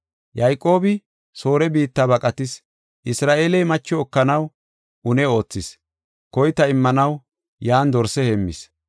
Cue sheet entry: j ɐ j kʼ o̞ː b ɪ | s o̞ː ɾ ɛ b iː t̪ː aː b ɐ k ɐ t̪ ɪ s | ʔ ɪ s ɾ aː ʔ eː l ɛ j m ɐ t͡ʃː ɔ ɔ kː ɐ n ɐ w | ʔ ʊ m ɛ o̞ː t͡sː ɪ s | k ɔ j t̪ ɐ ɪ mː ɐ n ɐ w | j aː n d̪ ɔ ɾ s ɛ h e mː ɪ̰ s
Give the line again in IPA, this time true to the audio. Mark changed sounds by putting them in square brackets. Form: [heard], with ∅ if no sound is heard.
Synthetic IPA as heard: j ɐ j kʼ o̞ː b ɪ | s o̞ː ɾ ɛ b iː t̪ː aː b ɐ [kʼ] ɐ t̪ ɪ s | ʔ ɪ s ɾ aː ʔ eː l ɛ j m ɐ t͡ʃː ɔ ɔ kː ɐ n ɐ w | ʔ ʊ [n] ɛ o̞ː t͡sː ɪ s | k ɔ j t̪ ɐ ɪ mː ɐ n ɐ w | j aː n d̪ ɔ ɾ s ɛ h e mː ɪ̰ s